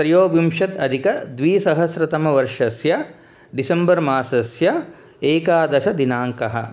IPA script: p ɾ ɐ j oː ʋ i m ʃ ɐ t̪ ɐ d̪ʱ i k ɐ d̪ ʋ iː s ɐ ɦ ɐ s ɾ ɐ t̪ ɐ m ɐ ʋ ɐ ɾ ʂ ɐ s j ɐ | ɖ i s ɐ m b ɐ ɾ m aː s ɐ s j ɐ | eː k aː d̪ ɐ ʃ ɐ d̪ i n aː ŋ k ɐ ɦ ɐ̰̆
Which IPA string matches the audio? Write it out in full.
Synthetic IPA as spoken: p ɾ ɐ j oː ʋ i m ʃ ɐ t̪ ɐ d̪ʱ i k ɐ d̪ ʋ iː s ɐ ɦ ɐ s ɾ ɐ t̪ ɐ m ɐ ʋ ɐ ɾ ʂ ɐ s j ɐ | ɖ i s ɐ m b ɐ ɾ m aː s ɐ s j ɐ | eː k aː d̪ ɐ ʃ ɐ d̪ i n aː ŋ k ɐ ɦ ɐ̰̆